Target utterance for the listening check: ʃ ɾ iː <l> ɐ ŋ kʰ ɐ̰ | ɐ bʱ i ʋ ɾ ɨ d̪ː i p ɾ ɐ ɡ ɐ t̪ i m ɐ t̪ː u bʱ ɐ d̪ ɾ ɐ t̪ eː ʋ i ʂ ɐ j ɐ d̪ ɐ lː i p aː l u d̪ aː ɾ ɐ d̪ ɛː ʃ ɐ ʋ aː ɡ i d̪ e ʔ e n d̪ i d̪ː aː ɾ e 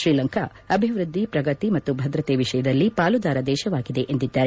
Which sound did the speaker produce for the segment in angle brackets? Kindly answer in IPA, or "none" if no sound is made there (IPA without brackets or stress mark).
l